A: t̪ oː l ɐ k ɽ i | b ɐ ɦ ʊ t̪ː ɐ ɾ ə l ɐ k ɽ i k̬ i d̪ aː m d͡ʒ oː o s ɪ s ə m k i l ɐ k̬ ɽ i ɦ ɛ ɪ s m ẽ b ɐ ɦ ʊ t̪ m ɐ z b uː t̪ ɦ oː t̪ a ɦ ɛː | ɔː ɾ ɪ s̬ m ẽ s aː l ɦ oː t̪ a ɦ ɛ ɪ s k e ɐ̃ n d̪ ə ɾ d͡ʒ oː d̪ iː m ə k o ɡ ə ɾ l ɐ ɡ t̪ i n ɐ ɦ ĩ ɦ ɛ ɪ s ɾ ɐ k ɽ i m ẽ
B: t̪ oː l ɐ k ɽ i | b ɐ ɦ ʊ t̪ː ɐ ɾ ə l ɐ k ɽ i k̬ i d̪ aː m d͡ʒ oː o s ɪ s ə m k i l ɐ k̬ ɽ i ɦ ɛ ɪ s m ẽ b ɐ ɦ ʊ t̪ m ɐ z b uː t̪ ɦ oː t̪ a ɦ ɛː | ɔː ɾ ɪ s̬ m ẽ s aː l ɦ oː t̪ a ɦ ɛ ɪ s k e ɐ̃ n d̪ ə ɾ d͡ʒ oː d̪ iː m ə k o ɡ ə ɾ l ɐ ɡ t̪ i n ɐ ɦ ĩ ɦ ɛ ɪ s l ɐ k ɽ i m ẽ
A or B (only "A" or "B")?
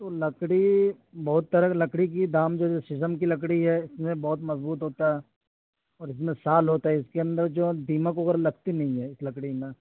B